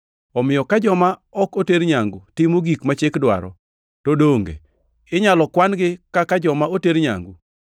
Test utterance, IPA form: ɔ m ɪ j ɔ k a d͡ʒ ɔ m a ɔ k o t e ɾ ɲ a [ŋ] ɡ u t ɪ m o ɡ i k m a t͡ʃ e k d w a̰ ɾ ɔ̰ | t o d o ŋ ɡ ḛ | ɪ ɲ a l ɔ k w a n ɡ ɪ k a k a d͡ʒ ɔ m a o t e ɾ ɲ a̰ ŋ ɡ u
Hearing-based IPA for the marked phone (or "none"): ŋ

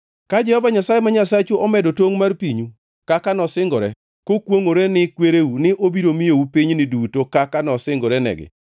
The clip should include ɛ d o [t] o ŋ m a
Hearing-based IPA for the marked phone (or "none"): t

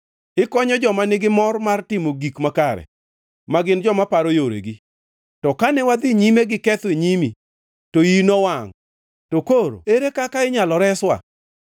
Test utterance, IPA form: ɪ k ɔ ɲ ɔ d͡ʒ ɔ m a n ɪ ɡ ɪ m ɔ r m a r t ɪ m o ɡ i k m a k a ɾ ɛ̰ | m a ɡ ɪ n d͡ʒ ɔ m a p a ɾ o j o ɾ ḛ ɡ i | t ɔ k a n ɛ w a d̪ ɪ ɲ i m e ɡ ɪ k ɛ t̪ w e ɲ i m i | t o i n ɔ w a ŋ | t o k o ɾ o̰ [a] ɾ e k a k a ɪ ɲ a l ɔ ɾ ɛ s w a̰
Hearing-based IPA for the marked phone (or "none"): e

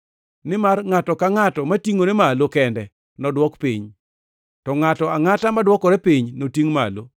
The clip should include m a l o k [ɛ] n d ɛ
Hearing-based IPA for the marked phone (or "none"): ɛ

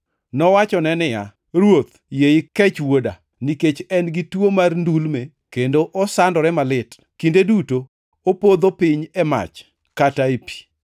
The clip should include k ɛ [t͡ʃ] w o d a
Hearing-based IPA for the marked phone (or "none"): t͡ʃ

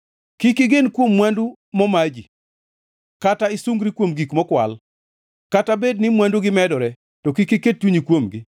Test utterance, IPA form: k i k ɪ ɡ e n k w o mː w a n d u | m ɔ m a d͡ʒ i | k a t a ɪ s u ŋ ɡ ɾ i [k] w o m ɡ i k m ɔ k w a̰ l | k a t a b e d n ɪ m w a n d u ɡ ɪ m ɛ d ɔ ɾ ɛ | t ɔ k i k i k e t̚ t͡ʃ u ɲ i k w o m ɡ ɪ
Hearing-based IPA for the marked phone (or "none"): k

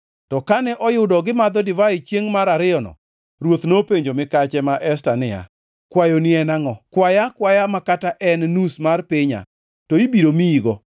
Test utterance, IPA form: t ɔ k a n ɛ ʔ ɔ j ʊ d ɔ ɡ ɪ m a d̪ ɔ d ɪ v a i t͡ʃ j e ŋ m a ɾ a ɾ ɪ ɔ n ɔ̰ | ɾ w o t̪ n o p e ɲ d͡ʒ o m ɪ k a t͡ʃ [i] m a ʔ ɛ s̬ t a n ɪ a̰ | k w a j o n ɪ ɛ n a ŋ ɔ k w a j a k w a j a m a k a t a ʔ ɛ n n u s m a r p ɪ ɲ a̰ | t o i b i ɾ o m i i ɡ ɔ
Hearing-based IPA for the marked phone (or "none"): ɛ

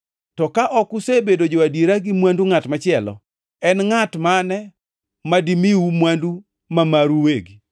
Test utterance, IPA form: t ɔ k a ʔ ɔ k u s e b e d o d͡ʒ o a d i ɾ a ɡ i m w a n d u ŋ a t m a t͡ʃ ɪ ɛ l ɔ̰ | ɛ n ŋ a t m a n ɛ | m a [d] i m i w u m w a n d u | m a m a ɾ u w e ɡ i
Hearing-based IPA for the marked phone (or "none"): d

